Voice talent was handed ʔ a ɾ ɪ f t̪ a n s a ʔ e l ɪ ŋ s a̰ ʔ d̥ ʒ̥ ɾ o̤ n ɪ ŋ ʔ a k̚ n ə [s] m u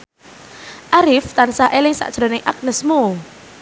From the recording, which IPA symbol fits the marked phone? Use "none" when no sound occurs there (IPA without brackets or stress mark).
s